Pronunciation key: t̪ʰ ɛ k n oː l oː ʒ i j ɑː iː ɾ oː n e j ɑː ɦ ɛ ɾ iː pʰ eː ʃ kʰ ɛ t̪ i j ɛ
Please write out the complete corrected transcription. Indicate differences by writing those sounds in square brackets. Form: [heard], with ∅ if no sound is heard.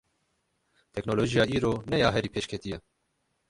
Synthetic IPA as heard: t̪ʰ ɛ k n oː l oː ʒ i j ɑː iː ɾ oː n [ɛ] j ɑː ɦ ɛ ɾ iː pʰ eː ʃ kʰ ɛ t̪ i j ɛ